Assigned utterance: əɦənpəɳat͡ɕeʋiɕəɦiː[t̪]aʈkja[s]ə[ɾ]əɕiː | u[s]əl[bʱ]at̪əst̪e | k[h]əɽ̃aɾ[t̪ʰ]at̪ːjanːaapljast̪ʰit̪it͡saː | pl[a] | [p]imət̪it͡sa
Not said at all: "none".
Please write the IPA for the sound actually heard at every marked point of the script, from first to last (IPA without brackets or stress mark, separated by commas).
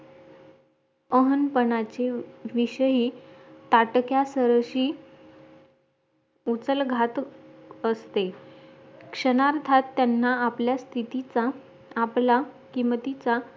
t̪, s, ɾ, t͡s, ɡʱ, ʂ, t̪ʰ, a, k